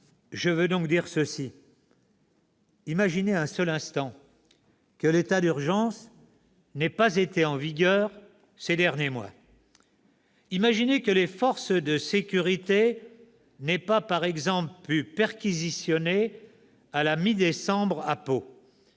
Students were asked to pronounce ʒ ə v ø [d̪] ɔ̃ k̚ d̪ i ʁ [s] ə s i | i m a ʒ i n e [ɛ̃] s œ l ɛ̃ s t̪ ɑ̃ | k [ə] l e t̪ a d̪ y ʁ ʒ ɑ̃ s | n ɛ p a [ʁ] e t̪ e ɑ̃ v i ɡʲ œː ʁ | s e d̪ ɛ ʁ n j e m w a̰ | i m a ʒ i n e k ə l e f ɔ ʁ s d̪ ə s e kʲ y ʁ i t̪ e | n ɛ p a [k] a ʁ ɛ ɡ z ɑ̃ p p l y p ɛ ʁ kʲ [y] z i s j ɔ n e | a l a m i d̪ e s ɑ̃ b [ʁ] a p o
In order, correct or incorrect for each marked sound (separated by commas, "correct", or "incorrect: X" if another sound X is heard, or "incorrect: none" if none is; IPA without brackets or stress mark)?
correct, correct, correct, correct, incorrect: z, incorrect: p, incorrect: i, correct